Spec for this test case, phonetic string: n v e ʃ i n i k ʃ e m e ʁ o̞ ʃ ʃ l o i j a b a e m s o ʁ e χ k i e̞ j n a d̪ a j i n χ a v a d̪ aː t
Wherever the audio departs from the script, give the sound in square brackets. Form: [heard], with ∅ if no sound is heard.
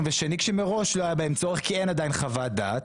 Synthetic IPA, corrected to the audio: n v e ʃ [e] n i k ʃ e m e ʁ o̞ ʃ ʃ l o [a] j a b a e m [t͡s] o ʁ e χ k i e̞ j n a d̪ a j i n χ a v a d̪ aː t